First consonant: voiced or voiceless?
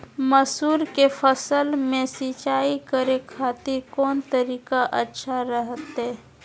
voiced